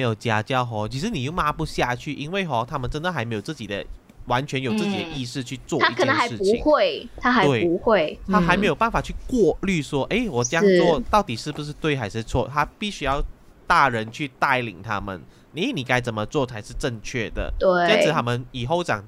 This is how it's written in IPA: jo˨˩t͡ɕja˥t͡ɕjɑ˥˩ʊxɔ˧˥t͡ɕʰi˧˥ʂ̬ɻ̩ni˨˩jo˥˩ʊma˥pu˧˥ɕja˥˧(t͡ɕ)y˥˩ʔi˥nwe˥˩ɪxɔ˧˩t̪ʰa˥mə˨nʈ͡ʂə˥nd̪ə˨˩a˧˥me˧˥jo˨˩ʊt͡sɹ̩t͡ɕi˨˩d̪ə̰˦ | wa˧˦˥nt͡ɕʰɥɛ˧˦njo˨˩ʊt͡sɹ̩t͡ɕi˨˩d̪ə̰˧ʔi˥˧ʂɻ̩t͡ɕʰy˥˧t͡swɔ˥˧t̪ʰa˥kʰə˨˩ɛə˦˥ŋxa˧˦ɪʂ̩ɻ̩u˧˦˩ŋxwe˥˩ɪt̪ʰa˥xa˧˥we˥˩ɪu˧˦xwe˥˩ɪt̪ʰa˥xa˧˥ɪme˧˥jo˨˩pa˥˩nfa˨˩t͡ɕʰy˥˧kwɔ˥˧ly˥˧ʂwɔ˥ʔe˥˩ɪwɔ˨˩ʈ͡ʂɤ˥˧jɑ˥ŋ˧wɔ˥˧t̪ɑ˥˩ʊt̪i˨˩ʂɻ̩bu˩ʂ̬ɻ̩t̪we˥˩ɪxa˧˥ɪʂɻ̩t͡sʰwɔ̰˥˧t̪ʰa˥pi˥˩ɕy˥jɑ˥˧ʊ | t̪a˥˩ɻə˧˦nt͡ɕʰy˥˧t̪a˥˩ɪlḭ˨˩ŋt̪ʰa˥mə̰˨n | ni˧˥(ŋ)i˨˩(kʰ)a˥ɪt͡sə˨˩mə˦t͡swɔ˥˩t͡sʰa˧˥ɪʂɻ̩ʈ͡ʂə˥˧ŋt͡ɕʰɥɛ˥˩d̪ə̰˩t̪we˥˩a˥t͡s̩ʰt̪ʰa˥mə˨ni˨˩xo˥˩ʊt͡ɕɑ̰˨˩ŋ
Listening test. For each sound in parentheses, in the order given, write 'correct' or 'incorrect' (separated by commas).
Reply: incorrect, incorrect, incorrect